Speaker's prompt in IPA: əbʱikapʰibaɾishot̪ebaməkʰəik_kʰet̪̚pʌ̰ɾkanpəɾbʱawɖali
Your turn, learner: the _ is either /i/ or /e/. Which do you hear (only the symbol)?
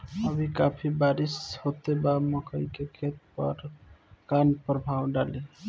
e